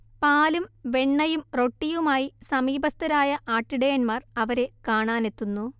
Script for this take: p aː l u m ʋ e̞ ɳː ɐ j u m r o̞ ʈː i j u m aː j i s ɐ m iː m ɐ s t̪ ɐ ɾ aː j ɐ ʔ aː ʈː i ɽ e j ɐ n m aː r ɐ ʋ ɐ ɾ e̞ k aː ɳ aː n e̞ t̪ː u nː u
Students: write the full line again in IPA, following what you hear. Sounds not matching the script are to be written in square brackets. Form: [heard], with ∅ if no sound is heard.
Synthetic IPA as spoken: p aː l u m ʋ e̞ ɳː ɐ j u m r o̞ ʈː i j u m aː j i s ɐ m iː [b] ɐ s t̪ ɐ ɾ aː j ɐ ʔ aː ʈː i ɽ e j ɐ n m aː r ɐ ʋ ɐ ɾ e̞ k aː ɳ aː n e̞ t̪ː u nː u